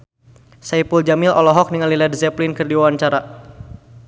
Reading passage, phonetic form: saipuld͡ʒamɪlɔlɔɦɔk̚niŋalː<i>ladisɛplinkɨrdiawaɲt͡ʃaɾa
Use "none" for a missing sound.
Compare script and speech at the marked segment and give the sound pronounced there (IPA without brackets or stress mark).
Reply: i